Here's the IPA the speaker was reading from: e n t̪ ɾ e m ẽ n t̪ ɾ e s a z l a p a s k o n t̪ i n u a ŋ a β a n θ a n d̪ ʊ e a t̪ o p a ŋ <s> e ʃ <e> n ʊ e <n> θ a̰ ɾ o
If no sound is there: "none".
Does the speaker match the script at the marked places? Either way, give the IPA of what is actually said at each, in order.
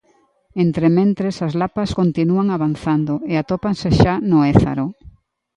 s, a, none

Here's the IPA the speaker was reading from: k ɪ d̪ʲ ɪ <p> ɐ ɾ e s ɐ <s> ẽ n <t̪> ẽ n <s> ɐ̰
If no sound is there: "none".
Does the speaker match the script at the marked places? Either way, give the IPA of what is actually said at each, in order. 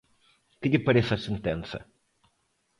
p, s, t̪, s

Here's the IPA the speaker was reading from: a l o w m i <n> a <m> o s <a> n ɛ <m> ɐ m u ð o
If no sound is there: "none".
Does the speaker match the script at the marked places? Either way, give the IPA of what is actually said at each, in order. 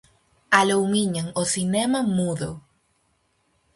ɲ, ŋ, i, m

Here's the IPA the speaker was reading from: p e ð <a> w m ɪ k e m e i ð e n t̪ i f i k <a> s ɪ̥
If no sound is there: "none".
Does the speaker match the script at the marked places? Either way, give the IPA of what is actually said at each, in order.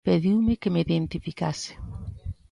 i, a

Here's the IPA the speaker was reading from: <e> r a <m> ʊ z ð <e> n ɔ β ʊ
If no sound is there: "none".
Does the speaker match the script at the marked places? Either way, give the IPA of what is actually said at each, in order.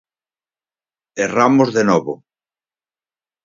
e, m, e

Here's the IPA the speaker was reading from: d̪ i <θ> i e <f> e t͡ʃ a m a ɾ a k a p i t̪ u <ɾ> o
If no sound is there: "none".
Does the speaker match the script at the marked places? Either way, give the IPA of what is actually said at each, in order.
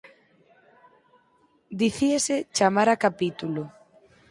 θ, s, l

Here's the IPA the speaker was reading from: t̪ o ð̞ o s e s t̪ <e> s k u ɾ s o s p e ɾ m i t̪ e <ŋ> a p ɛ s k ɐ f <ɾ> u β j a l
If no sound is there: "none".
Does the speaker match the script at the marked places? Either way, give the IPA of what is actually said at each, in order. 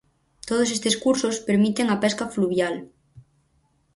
e, ŋ, l

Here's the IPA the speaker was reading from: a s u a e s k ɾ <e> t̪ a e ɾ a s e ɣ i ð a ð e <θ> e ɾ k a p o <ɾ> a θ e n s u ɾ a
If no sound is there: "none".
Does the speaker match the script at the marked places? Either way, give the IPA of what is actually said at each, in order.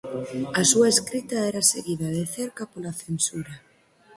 i, θ, l

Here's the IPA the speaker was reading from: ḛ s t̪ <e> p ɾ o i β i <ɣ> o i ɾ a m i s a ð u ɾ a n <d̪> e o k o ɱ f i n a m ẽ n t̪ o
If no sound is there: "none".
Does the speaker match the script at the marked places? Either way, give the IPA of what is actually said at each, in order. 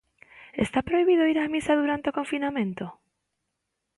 a, ð, t̪

